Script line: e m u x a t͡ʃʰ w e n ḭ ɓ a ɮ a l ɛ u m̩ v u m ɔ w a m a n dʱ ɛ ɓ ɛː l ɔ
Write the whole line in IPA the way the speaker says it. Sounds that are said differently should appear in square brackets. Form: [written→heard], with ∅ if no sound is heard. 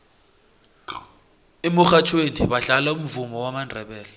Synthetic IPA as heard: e m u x a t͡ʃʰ w e n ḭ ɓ a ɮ a l [ɛ→a] u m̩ v u m ɔ w a m a n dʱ ɛ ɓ ɛː l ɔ